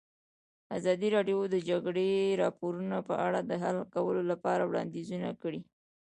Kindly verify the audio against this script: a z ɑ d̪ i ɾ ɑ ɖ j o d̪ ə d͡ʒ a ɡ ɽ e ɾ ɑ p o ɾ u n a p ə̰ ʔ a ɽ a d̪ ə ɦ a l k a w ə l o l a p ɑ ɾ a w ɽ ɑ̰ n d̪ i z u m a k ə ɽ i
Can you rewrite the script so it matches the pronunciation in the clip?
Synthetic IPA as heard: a z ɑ d̪ i ɾ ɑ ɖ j o d̪ ə d͡ʒ a ɡ ɽ e ɾ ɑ p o ɾ u n a p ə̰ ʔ a ɽ a d̪ ə ɦ a l k a w ə l o l a p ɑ ɾ a w ɽ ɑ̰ n d̪ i z u n a k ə ɽ i

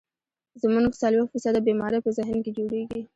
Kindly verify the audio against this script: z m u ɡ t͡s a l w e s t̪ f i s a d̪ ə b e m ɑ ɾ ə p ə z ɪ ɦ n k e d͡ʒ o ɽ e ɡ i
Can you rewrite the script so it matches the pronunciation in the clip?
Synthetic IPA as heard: z m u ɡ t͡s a l w e x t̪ f i s a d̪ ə b e m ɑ ɾ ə p ə z ɪ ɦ n k e d͡ʒ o ɽ e ɡ i

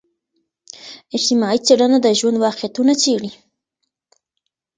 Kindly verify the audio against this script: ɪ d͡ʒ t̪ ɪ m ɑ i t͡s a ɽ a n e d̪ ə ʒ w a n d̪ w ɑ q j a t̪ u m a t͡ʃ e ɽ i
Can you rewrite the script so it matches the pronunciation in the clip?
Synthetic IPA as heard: ɪ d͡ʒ t̪ ɪ m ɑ i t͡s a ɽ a n a d̪ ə ʒ w a n d̪ w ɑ q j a t̪ u n a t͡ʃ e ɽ i

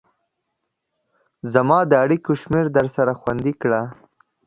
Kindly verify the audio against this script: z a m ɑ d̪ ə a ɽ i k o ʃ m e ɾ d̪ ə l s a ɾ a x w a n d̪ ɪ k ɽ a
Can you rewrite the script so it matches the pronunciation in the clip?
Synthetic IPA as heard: z a m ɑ d̪ ə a ɽ i k o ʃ m e ɾ d̪ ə ɾ s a ɾ a x w a n d̪ i k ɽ a

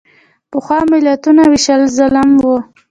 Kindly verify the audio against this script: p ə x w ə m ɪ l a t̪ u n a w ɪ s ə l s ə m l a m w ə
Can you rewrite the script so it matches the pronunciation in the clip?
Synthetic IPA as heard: p ə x w ɑ m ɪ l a t̪ u n a w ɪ ʃ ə l z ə l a m w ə

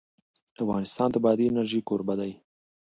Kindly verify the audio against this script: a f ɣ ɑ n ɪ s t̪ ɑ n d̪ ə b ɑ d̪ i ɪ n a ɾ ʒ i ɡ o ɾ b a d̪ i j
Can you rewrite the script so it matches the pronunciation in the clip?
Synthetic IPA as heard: a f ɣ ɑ n ɪ s t̪ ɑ n d̪ ə b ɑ d̪ i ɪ n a ɾ ʒ i k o ɾ b a d̪ a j

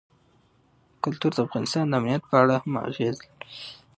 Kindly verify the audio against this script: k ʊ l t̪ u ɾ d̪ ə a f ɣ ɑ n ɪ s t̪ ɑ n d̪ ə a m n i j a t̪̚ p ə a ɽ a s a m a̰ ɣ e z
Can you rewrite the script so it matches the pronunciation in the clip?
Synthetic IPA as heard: k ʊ l t̪ u ɾ d̪ ə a f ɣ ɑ n ɪ s t̪ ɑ n d̪ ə a m n i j a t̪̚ p ə a ɽ a h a m a̰ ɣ e z

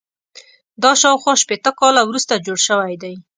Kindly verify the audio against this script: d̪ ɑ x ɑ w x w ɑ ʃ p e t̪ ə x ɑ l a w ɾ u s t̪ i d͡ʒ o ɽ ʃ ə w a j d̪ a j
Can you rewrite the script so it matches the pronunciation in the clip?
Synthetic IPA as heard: d̪ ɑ ʃ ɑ w x w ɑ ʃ p e t̪ ə k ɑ l a w ɾ u s t̪ a d͡ʒ o ɽ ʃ ə w a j d̪ a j

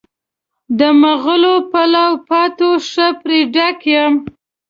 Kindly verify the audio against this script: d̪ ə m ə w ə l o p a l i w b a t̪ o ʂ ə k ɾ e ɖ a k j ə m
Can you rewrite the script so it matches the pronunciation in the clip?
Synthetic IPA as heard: d̪ ə m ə ɣ ə l o p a l a w p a t̪ o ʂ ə p ɾ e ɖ a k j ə m

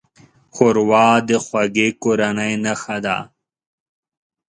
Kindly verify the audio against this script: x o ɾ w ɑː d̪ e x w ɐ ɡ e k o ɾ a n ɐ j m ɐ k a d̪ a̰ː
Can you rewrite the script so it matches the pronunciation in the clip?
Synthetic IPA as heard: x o ɾ w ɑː d̪ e x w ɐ ɡ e k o ɾ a n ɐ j n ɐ x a d̪ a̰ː

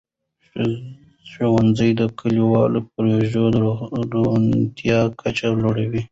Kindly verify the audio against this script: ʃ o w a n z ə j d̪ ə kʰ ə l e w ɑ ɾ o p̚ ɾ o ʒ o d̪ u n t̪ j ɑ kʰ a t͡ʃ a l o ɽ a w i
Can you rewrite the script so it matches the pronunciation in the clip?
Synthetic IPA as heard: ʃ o w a n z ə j d̪ ə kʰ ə l i w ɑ l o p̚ ɾ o ʒ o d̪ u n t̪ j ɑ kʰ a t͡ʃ a l o ɽ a w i

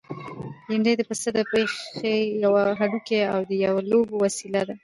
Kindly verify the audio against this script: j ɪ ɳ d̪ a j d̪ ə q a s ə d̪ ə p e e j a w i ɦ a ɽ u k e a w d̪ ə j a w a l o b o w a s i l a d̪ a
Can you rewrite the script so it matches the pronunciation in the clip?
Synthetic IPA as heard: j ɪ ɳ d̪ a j d̪ ə p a s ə d̪ ə p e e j a w a ɦ a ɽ u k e a w d̪ ə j a w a l o b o w a s i l a d̪ a

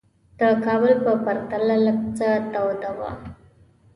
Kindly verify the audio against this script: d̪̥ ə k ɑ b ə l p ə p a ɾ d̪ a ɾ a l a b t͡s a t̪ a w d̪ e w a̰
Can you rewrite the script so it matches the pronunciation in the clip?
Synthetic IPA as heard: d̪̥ ə k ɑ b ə l p ə p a ɾ t̪ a l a l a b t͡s a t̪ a w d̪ a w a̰

